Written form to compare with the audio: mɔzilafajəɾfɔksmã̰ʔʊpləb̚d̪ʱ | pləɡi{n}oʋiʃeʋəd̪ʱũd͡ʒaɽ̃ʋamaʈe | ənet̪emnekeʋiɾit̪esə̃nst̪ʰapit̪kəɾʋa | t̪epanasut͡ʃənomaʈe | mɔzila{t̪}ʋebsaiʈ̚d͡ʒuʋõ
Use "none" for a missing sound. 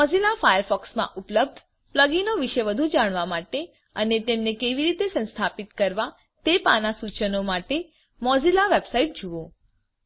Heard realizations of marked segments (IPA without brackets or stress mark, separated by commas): n, none